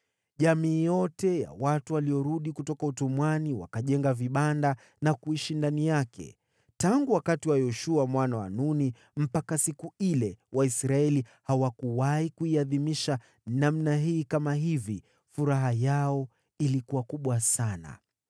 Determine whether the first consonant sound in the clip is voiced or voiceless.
voiced